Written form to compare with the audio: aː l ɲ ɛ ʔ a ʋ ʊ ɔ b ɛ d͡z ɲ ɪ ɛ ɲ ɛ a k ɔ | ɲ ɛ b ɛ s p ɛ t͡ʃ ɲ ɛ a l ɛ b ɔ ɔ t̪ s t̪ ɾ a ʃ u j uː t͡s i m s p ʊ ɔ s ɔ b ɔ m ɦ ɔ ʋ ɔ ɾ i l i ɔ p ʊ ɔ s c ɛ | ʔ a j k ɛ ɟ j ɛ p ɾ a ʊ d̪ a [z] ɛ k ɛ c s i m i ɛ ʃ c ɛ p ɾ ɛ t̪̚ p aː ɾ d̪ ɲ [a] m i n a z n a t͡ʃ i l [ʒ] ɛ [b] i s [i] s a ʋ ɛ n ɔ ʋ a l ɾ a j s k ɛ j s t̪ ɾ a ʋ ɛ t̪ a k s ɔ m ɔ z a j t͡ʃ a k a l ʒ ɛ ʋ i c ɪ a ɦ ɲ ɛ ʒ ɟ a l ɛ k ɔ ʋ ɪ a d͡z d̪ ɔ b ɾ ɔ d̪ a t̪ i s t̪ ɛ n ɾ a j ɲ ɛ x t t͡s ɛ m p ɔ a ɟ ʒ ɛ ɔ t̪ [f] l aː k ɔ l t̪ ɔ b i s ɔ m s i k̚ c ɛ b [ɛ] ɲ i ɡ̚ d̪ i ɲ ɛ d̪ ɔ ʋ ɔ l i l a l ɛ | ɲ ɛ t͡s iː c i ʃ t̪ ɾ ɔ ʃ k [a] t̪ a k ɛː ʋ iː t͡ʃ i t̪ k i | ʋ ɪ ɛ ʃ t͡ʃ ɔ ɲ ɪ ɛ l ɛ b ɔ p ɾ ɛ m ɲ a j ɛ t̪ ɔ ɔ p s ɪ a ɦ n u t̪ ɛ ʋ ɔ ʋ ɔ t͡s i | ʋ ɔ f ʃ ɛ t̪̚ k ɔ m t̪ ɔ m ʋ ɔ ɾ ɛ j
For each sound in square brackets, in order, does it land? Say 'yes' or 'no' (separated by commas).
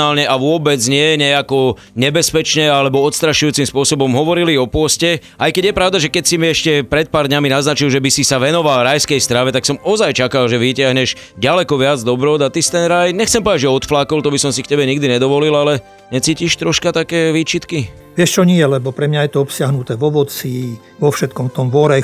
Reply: no, yes, yes, yes, yes, yes, yes, yes